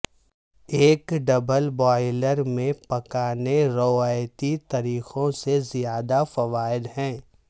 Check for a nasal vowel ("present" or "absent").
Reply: present